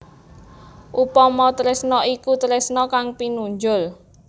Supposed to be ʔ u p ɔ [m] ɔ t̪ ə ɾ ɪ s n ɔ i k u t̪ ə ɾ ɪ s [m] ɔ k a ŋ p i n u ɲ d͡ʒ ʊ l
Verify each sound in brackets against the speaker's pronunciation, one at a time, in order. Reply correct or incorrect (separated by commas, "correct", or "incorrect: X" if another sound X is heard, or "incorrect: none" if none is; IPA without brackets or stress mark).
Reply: correct, incorrect: n